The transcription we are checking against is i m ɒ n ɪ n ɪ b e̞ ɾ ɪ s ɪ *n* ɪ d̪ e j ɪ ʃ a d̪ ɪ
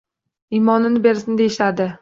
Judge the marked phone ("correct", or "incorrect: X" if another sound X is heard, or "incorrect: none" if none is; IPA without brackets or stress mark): correct